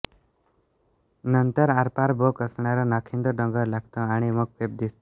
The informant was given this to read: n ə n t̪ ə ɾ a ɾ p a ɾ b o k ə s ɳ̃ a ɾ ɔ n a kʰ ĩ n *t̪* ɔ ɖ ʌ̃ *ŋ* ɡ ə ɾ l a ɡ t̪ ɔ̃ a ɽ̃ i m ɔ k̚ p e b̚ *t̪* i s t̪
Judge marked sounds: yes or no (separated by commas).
no, yes, no